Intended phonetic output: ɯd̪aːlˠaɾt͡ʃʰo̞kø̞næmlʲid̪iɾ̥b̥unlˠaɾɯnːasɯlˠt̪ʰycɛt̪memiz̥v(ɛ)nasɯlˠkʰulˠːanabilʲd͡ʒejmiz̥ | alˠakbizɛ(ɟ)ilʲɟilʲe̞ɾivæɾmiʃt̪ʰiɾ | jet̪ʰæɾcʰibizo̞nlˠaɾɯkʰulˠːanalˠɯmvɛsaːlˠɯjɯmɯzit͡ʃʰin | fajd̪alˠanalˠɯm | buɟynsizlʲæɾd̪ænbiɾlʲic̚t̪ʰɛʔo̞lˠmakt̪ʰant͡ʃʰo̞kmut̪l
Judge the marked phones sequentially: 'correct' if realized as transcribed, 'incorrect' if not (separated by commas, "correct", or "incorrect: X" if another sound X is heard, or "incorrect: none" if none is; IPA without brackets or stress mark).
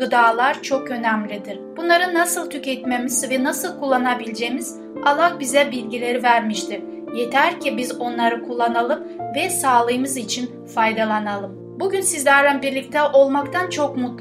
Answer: correct, incorrect: b